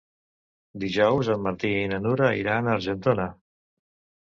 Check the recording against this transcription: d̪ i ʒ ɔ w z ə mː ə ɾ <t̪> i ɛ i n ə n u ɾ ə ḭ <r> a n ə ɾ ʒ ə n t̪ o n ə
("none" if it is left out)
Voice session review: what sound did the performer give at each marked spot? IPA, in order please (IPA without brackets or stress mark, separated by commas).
t̪, ɾ